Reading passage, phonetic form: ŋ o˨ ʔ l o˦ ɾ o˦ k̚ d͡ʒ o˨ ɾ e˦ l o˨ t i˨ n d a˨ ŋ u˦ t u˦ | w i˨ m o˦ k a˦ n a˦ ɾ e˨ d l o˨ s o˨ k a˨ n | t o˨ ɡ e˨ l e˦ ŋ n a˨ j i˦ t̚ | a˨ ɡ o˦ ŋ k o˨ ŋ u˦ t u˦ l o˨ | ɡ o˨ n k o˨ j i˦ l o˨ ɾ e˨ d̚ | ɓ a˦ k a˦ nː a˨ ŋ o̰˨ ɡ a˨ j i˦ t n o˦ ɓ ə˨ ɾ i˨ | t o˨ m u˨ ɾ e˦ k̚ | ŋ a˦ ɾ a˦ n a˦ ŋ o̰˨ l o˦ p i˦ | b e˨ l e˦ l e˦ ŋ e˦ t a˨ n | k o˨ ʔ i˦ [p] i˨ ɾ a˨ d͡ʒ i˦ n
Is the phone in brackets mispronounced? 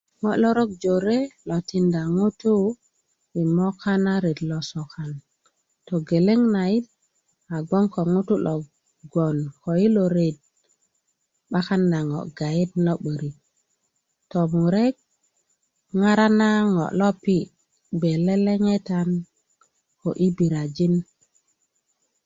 yes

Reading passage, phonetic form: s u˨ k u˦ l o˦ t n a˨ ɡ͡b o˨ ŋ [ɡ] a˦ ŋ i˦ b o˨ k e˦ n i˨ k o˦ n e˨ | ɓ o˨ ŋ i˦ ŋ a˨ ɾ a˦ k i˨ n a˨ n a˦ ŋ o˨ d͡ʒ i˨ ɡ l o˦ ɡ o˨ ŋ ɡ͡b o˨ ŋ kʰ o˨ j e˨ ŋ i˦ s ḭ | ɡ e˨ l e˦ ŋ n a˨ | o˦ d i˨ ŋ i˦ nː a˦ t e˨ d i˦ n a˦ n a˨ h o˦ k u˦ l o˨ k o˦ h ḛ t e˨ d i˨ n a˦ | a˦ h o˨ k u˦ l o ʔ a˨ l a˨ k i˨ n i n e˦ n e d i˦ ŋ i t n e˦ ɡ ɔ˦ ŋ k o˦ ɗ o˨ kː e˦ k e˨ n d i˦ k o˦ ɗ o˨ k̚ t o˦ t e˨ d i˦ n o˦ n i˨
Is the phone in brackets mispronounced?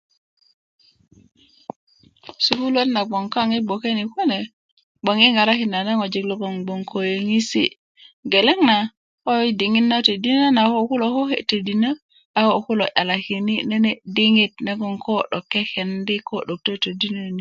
yes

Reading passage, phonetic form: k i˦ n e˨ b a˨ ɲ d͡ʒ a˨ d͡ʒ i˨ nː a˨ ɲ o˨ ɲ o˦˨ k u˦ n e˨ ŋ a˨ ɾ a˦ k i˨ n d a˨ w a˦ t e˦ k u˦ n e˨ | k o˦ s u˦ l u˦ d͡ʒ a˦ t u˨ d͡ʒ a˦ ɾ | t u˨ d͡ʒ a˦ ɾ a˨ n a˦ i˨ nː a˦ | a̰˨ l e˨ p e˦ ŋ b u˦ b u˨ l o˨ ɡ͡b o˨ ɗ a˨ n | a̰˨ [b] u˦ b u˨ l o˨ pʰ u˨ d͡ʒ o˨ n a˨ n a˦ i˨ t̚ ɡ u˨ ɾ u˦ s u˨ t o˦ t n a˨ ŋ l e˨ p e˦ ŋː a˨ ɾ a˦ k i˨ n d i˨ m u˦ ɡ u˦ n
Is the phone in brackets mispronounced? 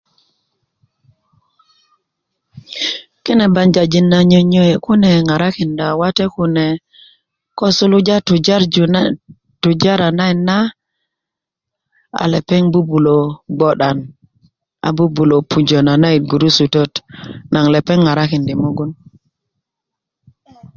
no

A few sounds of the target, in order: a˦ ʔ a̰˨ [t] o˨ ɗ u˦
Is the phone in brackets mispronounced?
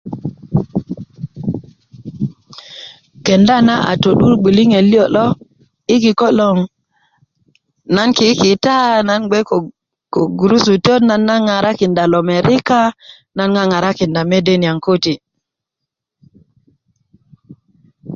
no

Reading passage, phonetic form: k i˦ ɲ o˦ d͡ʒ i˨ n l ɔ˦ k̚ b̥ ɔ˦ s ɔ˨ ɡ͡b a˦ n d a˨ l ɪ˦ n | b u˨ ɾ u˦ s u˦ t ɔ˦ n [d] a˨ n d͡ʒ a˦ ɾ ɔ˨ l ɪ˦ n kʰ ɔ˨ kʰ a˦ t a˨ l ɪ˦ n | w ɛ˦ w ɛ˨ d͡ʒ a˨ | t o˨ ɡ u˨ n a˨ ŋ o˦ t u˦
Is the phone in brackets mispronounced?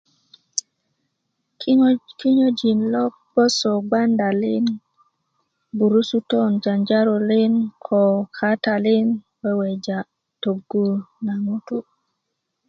yes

